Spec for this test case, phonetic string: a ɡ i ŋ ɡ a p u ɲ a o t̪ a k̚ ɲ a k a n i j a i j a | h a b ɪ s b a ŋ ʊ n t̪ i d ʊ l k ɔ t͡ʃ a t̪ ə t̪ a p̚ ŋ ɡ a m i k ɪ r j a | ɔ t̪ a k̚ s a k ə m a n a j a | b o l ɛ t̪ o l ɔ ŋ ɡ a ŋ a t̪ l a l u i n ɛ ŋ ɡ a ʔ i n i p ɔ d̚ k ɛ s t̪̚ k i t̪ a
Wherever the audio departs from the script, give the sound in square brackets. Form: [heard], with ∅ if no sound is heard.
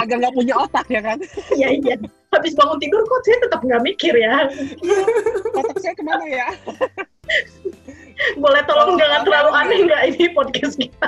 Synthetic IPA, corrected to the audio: a ɡ [a] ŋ ɡ a p u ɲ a o t̪ a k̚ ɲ a k a n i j a i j a | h a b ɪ s b a ŋ ʊ n t̪ i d ʊ [r] k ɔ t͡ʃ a t̪ ə t̪ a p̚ ŋ ɡ a m i k ɪ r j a | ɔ t̪ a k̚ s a k ə m a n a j a | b o l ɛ t̪ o l ɔ ŋ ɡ a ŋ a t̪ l a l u [a] n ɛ ŋ ɡ a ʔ i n i p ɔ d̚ k ɛ s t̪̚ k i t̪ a